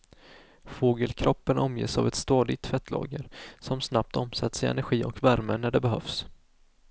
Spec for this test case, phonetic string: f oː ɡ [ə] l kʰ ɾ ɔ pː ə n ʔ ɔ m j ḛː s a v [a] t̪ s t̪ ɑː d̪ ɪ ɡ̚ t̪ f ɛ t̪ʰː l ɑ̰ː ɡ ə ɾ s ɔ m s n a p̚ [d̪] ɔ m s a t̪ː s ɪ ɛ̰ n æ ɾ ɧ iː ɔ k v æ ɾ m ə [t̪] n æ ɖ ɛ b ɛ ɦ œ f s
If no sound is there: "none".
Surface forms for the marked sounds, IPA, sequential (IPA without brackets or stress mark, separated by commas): ə, ɛ, t̪, none